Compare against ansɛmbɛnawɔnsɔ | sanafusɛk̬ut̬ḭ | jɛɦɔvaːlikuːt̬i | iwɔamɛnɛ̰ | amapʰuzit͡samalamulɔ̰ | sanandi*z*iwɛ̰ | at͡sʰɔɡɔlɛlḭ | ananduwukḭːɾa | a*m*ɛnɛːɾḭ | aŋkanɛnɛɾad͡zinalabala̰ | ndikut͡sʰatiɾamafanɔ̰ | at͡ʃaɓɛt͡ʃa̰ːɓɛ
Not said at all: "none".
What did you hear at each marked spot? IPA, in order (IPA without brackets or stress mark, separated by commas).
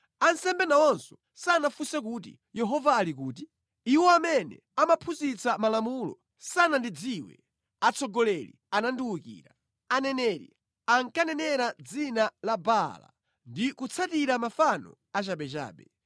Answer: d͡z, n